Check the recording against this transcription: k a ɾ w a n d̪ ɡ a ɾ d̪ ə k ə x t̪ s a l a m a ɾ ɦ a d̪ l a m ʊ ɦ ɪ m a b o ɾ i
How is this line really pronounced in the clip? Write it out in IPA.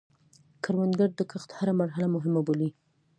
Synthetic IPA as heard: k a ɾ w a n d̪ ɡ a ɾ d̪ ə k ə x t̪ h a ɾ a m a ɾ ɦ a l a m ʊ ɦ ɪ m a b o l i